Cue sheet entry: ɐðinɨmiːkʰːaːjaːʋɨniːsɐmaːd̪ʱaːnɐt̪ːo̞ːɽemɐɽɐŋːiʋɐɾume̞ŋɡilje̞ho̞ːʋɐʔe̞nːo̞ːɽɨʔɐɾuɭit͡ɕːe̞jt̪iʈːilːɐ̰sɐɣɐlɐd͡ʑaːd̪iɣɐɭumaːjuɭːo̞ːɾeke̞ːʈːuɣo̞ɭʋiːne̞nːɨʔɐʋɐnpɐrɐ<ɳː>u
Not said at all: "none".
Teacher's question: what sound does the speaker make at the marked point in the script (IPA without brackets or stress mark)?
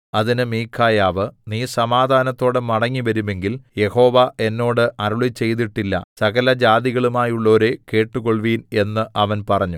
ɲː